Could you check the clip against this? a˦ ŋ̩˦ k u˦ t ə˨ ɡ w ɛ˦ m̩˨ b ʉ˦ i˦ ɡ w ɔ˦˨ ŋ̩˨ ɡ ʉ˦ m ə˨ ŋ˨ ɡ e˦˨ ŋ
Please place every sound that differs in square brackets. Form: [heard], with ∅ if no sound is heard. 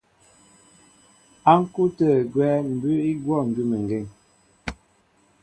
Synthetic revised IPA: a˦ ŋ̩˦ k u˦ t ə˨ ɡ w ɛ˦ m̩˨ b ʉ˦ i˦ ɡ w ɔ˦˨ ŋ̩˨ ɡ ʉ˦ m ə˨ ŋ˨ ɡ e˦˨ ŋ